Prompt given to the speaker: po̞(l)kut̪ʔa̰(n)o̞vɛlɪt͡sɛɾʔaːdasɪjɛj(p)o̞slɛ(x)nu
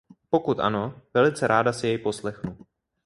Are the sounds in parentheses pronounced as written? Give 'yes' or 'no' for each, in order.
no, yes, yes, yes

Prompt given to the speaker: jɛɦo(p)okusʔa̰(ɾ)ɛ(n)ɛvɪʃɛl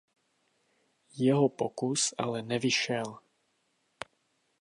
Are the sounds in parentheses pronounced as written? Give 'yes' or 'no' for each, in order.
yes, no, yes

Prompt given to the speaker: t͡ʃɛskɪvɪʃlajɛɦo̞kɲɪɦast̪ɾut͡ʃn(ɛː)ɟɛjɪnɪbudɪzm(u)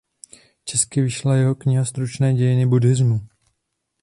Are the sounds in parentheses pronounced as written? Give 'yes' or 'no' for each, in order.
yes, yes

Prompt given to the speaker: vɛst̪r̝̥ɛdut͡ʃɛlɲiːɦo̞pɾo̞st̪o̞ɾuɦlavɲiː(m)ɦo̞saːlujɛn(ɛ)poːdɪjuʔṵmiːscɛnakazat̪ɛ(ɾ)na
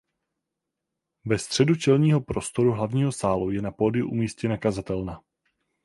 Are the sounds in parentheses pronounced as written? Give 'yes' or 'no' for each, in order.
no, no, no

